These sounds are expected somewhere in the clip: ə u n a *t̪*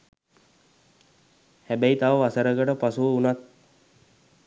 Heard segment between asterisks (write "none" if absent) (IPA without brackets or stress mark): t̪